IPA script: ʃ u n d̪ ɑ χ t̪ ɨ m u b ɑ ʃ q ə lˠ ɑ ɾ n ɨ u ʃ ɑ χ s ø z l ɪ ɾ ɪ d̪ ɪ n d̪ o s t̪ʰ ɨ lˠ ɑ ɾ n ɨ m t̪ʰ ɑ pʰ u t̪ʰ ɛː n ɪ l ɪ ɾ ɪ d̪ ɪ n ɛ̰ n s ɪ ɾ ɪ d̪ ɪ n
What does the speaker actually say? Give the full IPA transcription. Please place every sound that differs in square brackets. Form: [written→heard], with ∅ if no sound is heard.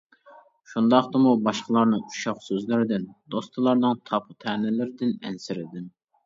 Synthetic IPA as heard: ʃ u n d̪ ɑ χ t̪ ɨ m u b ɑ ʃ q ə lˠ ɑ ɾ n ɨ u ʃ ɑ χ s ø z l ɪ ɾ ɪ d̪ ɪ n d̪ o s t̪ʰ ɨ lˠ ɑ ɾ n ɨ [m→ŋ] t̪ʰ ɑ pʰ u t̪ʰ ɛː n ɪ l ɪ ɾ ɪ d̪ ɪ n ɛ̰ n s ɪ ɾ ɪ d̪ ɪ n